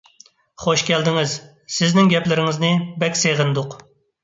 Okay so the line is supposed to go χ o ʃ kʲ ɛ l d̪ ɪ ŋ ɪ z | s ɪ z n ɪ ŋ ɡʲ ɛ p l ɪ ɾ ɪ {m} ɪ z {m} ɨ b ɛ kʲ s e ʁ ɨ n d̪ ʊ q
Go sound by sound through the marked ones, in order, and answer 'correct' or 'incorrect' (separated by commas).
incorrect, incorrect